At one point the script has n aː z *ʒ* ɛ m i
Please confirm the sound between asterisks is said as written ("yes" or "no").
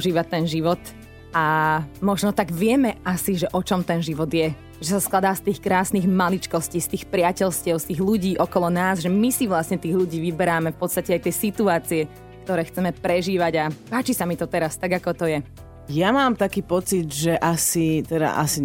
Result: yes